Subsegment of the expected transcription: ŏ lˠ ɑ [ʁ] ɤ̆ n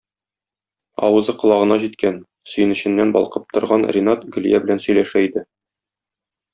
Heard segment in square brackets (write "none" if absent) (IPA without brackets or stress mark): ʁ